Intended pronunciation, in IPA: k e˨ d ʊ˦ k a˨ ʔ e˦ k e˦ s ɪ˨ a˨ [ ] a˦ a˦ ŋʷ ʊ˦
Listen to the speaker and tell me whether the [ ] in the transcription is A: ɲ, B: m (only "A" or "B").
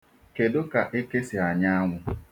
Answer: A